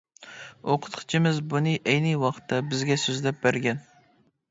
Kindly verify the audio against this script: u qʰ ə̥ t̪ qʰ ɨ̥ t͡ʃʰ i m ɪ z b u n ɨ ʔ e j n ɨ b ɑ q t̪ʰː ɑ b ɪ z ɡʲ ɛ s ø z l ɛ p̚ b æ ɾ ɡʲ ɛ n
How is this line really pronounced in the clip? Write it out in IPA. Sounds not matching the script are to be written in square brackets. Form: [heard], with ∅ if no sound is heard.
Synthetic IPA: [o] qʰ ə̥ t̪ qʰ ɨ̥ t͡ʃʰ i m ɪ z b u n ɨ ʔ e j n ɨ [w] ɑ q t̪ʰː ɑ b ɪ z ɡʲ ɛ s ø z l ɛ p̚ b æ ɾ ɡʲ ɛ n

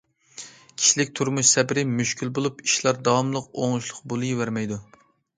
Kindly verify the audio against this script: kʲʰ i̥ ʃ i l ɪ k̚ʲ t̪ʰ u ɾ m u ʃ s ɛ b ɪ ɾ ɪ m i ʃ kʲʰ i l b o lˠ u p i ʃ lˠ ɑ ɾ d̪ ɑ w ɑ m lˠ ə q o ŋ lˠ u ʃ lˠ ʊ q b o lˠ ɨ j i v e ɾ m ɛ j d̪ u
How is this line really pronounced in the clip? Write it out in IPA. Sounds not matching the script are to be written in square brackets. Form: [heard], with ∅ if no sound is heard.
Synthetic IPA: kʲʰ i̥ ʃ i l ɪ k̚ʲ t̪ʰ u ɾ m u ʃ s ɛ b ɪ ɾ ɪ m [y] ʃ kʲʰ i l b o lˠ u p i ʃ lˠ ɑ ɾ d̪ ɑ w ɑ m lˠ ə q o ŋ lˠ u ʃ lˠ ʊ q b o lˠ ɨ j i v [æ] ɾ m ɛ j d̪ u

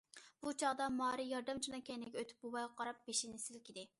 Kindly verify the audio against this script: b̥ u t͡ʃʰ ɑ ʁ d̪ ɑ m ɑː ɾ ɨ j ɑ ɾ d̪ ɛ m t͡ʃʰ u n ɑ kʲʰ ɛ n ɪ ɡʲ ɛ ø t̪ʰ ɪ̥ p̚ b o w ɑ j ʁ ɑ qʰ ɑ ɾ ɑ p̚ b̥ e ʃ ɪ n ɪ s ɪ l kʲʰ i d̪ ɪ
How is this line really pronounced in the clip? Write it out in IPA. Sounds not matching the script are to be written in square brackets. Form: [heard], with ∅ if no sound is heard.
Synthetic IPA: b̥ u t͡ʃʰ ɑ ʁ d̪ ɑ m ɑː ɾ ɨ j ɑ ɾ d̪ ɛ m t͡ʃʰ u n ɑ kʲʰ ɛ n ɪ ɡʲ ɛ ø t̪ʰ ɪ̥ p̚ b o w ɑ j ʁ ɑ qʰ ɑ ɾ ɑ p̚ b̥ e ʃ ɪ n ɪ s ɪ l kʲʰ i d̪ ɪ

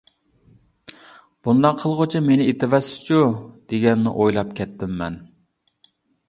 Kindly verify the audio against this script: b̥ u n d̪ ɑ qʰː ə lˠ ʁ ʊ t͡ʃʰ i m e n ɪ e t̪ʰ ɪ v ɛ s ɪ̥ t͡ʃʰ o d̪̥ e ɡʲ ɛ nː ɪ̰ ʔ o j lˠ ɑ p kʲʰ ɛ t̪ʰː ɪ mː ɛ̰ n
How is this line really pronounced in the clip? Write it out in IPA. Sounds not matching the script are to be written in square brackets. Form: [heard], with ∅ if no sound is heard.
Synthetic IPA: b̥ u n d̪ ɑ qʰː ə lˠ ʁ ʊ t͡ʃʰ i m e n ɪ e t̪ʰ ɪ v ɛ s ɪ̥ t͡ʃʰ [u] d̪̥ e ɡʲ ɛ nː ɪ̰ ʔ o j lˠ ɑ p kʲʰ ɛ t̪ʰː ɪ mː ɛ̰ n

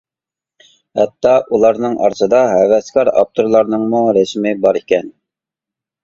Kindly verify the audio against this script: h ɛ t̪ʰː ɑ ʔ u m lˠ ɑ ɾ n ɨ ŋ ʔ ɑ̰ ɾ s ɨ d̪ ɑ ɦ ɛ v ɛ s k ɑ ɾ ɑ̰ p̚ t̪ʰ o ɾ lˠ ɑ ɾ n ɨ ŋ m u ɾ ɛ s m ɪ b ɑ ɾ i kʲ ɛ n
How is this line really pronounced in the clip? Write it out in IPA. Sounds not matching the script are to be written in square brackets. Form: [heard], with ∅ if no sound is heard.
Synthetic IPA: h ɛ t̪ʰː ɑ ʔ u [∅] lˠ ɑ ɾ n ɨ ŋ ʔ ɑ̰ ɾ s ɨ d̪ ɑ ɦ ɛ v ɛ s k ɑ ɾ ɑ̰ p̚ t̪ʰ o ɾ lˠ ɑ ɾ n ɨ ŋ m u ɾ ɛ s m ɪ b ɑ ɾ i kʲ ɛ n

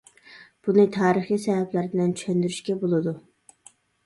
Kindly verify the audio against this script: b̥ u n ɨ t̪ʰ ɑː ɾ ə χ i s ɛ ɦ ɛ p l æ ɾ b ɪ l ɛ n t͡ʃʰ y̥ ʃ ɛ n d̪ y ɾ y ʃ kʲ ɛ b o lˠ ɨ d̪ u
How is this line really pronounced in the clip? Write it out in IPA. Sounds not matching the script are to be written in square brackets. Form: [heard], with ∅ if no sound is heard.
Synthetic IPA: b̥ u n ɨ t̪ʰ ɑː ɾ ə χ i s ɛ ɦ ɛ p l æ ɾ b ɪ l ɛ n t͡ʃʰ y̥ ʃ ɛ n d̪ y ɾ y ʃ kʲ ɛ b o lˠ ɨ d̪ u

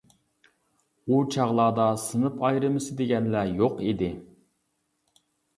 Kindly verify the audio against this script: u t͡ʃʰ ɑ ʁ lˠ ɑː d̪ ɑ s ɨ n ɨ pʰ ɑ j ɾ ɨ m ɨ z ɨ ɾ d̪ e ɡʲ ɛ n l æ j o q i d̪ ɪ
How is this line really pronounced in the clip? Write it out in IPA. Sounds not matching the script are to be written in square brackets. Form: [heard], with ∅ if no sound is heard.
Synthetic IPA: u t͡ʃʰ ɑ ʁ lˠ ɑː d̪ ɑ s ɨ n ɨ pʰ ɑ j ɾ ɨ m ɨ [s] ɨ [∅] d̪ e ɡʲ ɛ n l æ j o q i d̪ ɪ

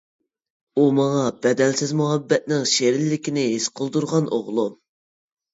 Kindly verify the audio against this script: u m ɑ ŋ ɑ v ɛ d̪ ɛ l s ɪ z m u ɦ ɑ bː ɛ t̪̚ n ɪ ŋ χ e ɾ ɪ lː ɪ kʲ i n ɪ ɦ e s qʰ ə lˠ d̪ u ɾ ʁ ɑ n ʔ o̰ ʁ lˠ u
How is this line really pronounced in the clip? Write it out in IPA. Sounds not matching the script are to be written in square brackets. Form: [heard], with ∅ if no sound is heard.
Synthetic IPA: u m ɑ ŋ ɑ [b] ɛ d̪ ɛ l s ɪ z m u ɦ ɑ bː ɛ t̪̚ n ɪ ŋ [ʃ] e ɾ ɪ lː ɪ kʲ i n ɪ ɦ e s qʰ ə lˠ d̪ u ɾ ʁ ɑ n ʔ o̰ ʁ lˠ u

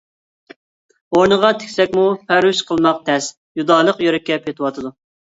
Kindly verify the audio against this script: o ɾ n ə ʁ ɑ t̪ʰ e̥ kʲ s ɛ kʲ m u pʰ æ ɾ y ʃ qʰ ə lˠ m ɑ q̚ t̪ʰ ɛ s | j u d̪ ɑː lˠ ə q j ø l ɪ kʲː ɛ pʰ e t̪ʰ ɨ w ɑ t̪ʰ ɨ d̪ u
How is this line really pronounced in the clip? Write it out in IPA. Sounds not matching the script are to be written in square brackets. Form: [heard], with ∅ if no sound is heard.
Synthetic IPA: o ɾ n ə ʁ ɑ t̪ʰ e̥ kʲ s ɛ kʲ m u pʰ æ ɾ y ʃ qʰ ə lˠ m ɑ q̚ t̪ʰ ɛ s | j u d̪ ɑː lˠ ə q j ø [ɾ] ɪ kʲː ɛ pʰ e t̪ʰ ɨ w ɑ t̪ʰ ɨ d̪ u

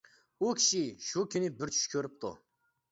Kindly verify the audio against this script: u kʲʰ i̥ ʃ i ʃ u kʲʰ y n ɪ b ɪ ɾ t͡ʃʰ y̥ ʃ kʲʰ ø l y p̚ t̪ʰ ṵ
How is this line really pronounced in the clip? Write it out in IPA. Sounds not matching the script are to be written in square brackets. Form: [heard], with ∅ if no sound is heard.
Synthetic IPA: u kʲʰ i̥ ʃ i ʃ u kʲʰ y n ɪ b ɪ ɾ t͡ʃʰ y̥ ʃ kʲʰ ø [ɾ] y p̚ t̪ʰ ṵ

